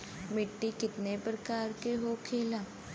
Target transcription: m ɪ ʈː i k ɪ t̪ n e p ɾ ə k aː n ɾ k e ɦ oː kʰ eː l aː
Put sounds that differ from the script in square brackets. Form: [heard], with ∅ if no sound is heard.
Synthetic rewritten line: m ɪ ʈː i k ɪ t̪ n e p ɾ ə k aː [∅] ɾ k e ɦ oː kʰ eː l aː

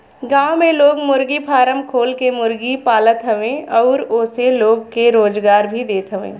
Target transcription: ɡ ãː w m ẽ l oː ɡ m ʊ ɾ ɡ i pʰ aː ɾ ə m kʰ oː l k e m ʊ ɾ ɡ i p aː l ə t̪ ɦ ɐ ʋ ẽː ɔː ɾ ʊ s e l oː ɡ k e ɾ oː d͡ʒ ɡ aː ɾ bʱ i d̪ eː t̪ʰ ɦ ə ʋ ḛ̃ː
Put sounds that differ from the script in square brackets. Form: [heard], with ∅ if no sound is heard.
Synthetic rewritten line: ɡ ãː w m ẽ l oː ɡ m ʊ ɾ ɡ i pʰ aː ɾ ə m kʰ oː l k e m ʊ ɾ ɡ i p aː l ə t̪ ɦ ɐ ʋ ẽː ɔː ɾ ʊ s e l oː ɡ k e ɾ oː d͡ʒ ɡ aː ɾ bʱ i d̪ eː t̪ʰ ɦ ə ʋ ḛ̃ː

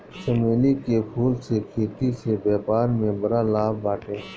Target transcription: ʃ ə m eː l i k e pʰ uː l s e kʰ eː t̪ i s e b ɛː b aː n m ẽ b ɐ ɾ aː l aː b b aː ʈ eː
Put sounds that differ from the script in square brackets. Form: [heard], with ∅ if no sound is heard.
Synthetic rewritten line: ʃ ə m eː l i k e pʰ uː l s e kʰ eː t̪ i s e b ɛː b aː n m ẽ b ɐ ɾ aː l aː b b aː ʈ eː

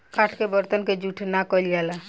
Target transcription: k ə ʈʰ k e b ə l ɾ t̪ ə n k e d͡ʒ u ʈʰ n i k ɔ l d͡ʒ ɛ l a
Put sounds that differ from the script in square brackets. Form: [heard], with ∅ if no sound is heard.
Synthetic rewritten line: k [a] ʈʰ k e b ə [∅] ɾ t̪ ə n k e d͡ʒ u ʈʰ n [a] k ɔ l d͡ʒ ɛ l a

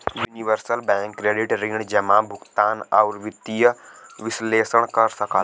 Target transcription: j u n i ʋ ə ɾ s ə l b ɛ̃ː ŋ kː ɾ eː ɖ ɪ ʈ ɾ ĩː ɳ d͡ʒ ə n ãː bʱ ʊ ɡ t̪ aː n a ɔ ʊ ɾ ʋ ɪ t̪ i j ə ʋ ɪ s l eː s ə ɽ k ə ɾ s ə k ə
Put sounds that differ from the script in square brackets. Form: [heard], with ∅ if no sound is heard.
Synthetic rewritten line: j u n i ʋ ə ɾ s ə l b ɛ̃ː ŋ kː ɾ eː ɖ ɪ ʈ ɾ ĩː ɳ d͡ʒ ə [m] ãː bʱ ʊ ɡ t̪ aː n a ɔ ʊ ɾ ʋ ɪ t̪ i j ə ʋ ɪ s l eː s ə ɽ k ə ɾ s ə k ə

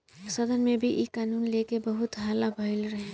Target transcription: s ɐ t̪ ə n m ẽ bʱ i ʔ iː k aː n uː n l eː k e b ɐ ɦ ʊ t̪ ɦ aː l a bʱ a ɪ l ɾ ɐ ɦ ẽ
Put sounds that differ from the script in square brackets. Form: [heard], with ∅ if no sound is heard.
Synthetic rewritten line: s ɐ [d̪] ə n m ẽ bʱ i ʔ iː k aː n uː n l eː k e b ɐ ɦ ʊ t̪ ɦ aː l a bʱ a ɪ l ɾ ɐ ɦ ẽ

